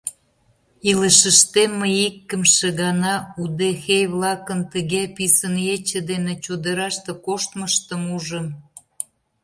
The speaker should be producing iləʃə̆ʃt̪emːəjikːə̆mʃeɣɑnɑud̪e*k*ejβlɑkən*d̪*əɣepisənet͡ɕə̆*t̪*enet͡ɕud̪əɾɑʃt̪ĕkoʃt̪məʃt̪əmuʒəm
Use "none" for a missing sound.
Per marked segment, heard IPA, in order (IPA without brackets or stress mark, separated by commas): x, t̪, d̪